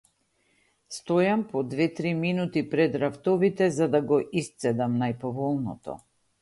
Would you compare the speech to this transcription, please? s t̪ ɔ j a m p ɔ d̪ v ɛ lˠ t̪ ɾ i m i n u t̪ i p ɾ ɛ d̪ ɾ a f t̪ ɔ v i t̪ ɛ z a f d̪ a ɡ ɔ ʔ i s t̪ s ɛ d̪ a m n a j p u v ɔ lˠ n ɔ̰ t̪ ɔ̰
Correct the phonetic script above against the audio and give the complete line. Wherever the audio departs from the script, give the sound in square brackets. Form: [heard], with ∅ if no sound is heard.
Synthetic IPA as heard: s t̪ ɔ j a m p ɔ d̪ v ɛ [∅] t̪ ɾ i m i n u t̪ i p ɾ ɛ d̪ ɾ a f t̪ ɔ v i t̪ ɛ z a [∅] d̪ a ɡ ɔ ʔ i s t̪ s ɛ d̪ a m n a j p [ɔ] v ɔ lˠ n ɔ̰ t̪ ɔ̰